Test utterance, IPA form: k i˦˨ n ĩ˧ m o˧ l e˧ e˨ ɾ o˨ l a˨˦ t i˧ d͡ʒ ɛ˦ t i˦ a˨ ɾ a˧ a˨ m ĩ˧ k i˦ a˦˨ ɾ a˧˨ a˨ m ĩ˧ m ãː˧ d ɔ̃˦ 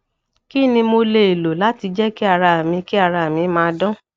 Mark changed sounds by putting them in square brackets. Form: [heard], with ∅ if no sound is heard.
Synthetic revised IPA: k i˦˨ n ĩ˧ m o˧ l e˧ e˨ [l] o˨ l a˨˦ t i˧ d͡ʒ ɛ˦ [k] i˦ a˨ ɾ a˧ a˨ m ĩ˧ k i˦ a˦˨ ɾ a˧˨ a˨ m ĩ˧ m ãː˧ d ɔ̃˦